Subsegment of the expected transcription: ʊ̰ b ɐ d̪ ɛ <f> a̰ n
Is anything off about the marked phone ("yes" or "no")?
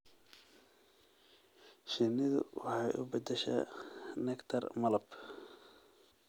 yes